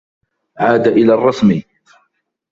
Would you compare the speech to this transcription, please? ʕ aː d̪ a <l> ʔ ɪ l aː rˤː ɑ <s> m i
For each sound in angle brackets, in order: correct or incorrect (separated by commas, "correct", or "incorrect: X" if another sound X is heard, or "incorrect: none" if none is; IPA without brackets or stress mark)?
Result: incorrect: none, correct